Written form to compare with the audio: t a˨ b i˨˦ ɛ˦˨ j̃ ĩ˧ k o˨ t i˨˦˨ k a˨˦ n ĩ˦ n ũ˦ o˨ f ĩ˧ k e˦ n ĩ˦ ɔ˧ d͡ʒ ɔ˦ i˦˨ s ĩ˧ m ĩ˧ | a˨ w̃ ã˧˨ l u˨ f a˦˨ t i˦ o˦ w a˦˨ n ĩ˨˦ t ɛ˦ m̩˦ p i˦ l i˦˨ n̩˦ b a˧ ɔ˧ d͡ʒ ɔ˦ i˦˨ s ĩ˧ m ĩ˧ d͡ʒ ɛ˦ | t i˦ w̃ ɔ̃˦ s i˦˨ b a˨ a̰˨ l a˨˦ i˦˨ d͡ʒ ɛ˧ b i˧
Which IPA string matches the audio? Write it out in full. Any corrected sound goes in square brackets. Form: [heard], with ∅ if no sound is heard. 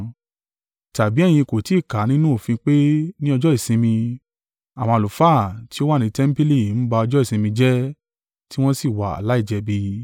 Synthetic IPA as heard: t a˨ b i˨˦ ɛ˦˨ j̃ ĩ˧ k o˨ t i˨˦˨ k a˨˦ n ĩ˦ n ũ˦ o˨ f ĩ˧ [k͡p] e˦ n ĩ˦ ɔ˧ d͡ʒ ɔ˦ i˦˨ s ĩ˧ m ĩ˧ | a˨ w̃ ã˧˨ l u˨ f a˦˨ t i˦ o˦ w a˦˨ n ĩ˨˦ t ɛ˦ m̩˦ p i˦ l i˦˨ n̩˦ b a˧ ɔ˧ d͡ʒ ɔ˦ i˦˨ s ĩ˧ m ĩ˧ d͡ʒ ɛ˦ | t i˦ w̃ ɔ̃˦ s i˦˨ [w] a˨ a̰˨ l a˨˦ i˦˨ d͡ʒ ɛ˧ b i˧